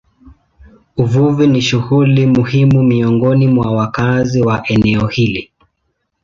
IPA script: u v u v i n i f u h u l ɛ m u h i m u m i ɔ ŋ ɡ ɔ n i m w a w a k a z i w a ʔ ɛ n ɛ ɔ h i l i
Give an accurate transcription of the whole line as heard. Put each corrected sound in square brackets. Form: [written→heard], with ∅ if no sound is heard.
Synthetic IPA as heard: u v u v i n i [f→ʃ] u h u l [ɛ→i] m u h i m u m i ɔ ŋ ɡ ɔ n i m w a w a k a z i w a ʔ ɛ n ɛ ɔ h i l i